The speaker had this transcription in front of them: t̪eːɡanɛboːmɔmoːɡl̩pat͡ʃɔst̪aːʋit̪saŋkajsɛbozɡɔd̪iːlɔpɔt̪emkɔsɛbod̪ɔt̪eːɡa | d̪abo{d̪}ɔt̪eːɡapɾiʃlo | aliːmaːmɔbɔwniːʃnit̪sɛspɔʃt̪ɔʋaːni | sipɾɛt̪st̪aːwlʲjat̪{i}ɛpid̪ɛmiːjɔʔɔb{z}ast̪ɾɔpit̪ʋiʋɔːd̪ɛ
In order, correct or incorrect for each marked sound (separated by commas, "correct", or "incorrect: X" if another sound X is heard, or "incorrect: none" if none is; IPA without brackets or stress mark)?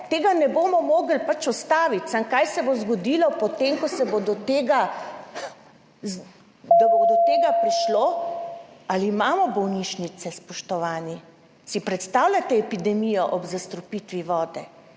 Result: correct, incorrect: ɛ, correct